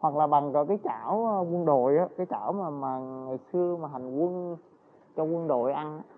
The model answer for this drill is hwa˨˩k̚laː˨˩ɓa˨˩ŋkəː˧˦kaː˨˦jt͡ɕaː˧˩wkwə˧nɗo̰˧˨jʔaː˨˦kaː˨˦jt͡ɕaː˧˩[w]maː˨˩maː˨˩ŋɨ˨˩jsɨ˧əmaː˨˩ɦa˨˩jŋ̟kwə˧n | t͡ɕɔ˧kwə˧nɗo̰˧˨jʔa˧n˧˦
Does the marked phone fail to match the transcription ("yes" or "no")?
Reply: no